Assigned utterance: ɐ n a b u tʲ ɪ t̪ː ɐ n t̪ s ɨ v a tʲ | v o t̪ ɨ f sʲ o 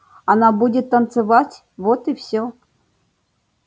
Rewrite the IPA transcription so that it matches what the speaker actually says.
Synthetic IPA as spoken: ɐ n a b u dʲ ɪ t̪ː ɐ n t̪ s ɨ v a tʲ | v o t̪ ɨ f sʲ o